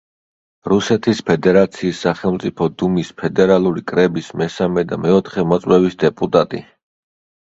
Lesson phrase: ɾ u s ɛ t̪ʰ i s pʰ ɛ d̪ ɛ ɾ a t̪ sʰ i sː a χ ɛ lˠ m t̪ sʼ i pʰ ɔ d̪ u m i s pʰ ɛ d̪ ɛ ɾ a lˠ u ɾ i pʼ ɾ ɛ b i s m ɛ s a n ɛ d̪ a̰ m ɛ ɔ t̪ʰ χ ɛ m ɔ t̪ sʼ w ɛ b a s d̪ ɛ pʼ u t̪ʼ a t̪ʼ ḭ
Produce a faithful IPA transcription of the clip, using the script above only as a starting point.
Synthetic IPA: ɾ u s ɛ t̪ʰ i s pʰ ɛ d̪ ɛ ɾ a t̪ sʰ iː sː a χ ɛ lˠ m t̪ sʼ i pʰ ɔ d̪ u m i s pʰ ɛ d̪ ɛ ɾ a lˠ u ɾ i kʼ ɾ ɛ b i s m ɛ s a m ɛ d̪ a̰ m ɛ ɔ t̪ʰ χ ɛ m ɔ t̪ sʼ w ɛ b i s d̪ ɛ pʼ u t̪ʼ a t̪ʼ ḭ